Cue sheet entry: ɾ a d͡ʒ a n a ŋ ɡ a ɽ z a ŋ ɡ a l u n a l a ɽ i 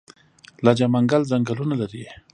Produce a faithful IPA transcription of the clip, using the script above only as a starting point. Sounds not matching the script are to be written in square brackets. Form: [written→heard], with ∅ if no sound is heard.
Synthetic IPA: [ɾ→l] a d͡ʒ a [n→m] a ŋ ɡ a [ɽ→l] z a ŋ ɡ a l u n a l a [ɽ→ɾ] i